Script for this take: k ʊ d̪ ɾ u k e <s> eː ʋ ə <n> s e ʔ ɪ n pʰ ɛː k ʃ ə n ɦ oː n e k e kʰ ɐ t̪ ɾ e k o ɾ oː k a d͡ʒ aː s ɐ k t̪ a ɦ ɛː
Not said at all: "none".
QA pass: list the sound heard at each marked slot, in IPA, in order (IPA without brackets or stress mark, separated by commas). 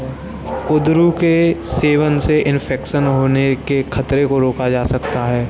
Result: s, n